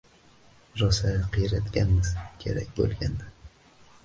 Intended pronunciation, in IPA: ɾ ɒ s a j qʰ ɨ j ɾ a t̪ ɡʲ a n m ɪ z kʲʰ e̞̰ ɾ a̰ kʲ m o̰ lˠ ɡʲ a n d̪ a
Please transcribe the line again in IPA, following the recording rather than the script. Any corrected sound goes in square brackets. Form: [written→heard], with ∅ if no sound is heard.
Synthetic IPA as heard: ɾ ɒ s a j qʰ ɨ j ɾ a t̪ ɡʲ a n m ɪ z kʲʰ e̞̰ ɾ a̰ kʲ [m→b] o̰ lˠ ɡʲ a n d̪ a